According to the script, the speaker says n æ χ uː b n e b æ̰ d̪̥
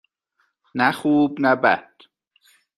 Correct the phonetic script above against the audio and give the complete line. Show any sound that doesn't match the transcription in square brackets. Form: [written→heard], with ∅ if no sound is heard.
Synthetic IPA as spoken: n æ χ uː b n [e→æ] b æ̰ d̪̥

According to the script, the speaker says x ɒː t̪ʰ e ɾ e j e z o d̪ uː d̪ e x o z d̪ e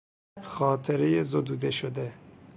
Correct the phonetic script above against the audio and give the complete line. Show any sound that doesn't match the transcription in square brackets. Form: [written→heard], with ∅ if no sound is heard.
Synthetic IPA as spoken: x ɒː t̪ʰ e ɾ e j e z o d̪ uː d̪ e [x→ʃ] o [z→∅] d̪ e

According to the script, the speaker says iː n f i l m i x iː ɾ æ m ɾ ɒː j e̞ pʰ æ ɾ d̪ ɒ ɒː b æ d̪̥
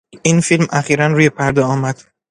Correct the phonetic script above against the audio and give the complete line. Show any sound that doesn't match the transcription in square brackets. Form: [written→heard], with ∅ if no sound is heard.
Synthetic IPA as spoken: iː n f i l m [i→æ] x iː ɾ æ [m→n] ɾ [ɒː→uː] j e̞ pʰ æ ɾ d̪ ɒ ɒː [b→m] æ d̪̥

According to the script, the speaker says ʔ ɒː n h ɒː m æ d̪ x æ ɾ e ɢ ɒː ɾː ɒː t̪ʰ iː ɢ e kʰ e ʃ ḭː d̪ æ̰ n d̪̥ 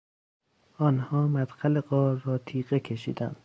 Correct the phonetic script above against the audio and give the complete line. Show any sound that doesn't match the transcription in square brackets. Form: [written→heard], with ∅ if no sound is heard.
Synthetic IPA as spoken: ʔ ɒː n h ɒː m æ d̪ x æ [ɾ→l] e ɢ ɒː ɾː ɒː t̪ʰ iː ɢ e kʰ e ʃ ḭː d̪ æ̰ n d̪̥

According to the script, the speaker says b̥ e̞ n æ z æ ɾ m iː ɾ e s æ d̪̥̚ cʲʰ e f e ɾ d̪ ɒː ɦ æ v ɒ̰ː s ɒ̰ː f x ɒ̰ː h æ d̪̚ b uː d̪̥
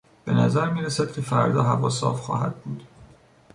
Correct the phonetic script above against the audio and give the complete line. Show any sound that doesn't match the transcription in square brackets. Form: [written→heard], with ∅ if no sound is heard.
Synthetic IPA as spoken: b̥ e̞ n æ z æ ɾ m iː ɾ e s æ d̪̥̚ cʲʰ e f [e→æ] ɾ d̪ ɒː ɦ æ v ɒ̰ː s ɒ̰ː f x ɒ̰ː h æ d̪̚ b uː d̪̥

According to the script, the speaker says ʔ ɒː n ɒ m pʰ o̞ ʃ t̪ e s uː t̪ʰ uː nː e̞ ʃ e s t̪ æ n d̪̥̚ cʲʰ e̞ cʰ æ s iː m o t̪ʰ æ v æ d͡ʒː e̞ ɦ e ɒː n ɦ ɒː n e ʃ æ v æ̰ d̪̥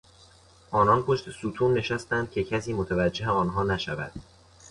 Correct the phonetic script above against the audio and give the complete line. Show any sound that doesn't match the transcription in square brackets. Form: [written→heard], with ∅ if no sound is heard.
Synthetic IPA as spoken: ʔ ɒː n ɒ [m→n] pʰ o̞ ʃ t̪ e s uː t̪ʰ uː nː e̞ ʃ [e→æ] s t̪ æ n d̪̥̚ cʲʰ e̞ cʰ æ s iː m o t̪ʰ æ v æ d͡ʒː e̞ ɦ e ɒː n ɦ ɒː n [e→æ] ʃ æ v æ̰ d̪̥

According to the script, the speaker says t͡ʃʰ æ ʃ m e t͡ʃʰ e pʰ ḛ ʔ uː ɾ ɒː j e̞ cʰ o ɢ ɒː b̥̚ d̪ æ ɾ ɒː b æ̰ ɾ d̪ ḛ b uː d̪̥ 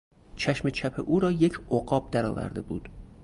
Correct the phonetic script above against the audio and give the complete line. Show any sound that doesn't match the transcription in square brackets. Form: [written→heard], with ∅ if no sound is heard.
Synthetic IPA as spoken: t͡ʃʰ æ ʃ m e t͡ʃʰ [e→æ] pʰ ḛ ʔ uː ɾ ɒː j e̞ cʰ o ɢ ɒː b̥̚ d̪ æ ɾ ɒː [b→v] æ̰ ɾ d̪ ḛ b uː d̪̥

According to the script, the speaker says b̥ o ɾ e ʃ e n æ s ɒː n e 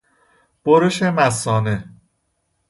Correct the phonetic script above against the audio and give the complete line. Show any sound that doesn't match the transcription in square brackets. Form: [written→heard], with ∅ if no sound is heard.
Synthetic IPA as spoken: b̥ o ɾ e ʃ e [n→m] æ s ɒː n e

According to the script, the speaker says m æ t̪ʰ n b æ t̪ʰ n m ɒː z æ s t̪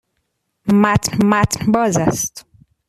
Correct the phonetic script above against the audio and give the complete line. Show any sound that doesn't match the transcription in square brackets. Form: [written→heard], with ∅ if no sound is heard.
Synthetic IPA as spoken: m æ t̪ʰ n [b→m] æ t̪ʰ n [m→b] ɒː z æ s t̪

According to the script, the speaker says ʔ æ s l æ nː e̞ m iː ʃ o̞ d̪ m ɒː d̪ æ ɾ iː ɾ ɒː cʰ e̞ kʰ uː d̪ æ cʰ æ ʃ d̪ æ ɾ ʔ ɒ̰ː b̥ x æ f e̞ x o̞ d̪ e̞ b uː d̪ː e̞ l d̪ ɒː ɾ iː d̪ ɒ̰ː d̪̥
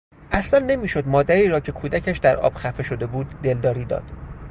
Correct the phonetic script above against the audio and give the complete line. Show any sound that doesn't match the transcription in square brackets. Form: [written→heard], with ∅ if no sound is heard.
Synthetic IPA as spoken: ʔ æ s l æ nː e̞ m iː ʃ o̞ d̪ m ɒː d̪ æ ɾ iː ɾ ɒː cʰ e̞ kʰ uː d̪ æ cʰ æ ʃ d̪ æ ɾ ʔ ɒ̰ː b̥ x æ f e̞ [x→ʃ] o̞ d̪ e̞ b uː d̪ː e̞ l d̪ ɒː ɾ iː d̪ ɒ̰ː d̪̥

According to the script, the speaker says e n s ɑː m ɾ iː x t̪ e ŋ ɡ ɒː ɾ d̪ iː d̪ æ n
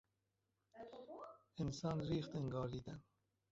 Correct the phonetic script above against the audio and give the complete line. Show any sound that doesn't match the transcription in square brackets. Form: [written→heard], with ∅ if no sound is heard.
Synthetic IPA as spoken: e n s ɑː [m→n] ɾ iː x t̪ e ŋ ɡ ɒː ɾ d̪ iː d̪ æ n

